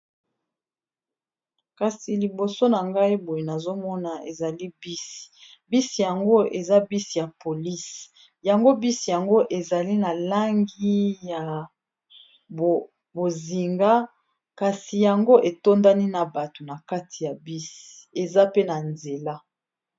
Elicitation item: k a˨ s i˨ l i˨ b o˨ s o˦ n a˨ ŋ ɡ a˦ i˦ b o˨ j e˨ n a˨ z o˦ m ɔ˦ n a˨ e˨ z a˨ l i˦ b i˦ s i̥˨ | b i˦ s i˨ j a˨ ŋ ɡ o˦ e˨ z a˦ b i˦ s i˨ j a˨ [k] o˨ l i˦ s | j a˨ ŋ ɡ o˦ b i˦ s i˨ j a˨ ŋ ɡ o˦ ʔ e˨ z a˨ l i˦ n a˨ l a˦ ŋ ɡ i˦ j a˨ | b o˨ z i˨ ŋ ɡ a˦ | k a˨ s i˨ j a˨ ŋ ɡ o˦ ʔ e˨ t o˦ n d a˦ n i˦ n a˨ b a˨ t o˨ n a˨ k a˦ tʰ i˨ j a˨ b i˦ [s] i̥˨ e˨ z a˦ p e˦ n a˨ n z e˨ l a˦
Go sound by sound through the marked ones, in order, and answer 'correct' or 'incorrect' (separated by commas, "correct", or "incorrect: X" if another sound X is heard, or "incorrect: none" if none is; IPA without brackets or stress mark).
incorrect: p, correct